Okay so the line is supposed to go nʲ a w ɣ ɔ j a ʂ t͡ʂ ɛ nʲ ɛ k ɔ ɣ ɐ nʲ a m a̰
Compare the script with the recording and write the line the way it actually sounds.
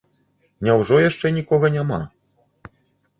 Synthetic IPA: nʲ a w ʐ ɔ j a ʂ t͡ʂ ɛ nʲ i k ɔ ɣ ɐ nʲ a m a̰